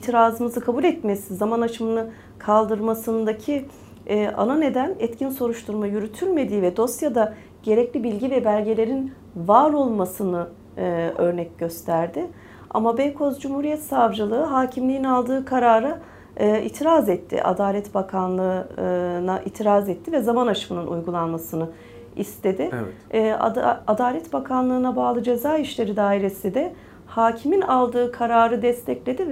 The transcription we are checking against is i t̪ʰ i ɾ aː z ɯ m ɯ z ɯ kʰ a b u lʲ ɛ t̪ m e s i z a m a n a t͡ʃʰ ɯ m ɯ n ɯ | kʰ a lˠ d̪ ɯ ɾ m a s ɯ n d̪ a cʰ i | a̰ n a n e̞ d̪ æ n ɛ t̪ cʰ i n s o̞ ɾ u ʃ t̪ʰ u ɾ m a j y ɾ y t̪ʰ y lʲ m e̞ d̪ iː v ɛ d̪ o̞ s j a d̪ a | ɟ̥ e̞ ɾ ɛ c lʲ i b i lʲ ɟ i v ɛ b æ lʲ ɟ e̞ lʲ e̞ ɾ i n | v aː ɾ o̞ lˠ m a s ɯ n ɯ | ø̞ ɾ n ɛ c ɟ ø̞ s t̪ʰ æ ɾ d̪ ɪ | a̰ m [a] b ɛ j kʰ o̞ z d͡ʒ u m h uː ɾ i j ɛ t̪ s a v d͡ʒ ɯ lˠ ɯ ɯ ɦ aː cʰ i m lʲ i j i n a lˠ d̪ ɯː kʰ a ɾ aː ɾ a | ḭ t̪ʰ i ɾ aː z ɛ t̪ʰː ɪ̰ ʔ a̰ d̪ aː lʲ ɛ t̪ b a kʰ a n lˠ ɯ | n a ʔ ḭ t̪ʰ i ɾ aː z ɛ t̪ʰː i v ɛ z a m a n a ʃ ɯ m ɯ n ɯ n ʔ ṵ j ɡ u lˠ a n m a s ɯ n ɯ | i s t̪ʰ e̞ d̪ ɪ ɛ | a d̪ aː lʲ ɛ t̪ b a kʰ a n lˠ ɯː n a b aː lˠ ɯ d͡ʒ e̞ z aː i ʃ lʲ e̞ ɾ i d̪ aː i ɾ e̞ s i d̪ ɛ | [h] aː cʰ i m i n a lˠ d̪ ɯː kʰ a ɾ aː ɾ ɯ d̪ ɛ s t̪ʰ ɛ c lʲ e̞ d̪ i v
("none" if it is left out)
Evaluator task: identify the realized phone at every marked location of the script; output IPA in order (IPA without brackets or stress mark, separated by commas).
a, h